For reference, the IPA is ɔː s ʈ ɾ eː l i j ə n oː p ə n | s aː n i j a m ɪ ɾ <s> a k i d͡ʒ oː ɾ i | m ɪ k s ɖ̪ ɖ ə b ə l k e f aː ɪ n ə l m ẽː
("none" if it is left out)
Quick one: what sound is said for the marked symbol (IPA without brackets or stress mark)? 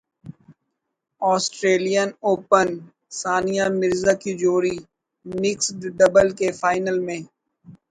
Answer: z